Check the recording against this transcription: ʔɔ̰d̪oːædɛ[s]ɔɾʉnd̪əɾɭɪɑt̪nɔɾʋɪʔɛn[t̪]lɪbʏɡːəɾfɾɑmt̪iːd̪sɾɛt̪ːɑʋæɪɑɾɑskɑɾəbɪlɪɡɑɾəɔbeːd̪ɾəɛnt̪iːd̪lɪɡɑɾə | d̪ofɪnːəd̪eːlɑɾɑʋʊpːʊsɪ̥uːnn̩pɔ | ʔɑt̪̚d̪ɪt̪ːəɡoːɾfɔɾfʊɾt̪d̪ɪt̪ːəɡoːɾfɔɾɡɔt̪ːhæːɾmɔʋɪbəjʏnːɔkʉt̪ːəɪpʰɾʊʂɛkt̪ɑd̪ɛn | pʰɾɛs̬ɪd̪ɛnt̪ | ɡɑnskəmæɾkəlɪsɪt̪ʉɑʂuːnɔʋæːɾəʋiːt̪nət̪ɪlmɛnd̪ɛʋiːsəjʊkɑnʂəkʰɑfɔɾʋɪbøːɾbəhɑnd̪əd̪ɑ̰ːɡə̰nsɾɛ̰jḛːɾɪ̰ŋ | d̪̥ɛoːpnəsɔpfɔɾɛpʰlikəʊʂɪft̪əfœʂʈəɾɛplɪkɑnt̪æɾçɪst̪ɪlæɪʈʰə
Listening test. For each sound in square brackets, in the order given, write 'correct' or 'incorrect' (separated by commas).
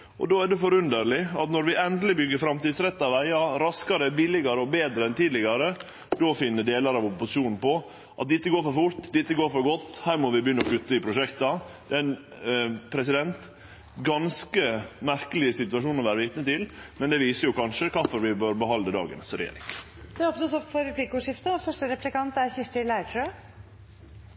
incorrect, incorrect